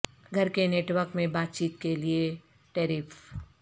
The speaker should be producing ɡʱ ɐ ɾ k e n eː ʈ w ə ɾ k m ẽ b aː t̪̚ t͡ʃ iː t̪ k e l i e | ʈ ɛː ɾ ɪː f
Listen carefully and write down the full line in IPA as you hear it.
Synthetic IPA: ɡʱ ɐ ɾ k e n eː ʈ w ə ɾ k m ẽ b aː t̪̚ t͡ʃ iː t̪ k e l i e | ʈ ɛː ɾ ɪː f